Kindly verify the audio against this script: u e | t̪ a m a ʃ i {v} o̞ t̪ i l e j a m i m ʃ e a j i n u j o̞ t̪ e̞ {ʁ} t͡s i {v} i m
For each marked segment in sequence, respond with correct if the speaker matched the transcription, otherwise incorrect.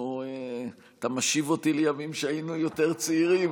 correct, correct, incorrect: ʁ

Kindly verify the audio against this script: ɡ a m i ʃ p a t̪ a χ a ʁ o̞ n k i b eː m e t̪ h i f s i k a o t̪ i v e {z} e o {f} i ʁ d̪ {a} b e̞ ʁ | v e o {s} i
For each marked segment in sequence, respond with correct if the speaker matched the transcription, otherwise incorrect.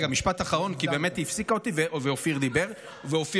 incorrect: v, correct, incorrect: i, incorrect: f

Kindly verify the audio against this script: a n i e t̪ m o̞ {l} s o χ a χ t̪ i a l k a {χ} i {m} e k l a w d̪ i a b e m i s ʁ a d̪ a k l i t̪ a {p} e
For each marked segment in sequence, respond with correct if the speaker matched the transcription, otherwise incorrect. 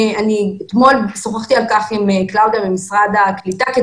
correct, correct, correct, incorrect: k

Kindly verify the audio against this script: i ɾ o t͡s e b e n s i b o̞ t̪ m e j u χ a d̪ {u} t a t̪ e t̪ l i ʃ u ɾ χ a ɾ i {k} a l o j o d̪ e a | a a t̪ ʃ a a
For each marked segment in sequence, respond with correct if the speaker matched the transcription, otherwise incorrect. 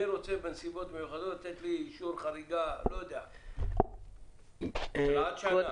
incorrect: o, incorrect: ɡ

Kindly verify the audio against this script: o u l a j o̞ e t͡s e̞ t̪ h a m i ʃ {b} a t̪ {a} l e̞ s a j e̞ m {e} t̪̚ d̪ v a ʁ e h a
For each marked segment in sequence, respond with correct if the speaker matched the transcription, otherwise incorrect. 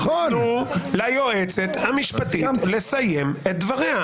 incorrect: p, incorrect: i, correct

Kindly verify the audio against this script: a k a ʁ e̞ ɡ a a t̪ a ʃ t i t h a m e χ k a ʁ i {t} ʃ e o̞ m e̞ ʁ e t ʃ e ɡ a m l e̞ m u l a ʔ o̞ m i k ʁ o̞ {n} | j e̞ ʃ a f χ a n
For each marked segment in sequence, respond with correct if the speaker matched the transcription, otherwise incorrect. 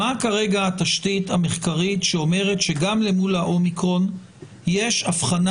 correct, correct

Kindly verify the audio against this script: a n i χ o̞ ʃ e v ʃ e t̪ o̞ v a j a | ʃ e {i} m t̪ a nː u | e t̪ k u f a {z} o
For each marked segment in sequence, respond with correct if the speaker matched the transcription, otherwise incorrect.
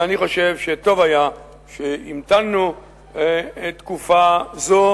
correct, correct

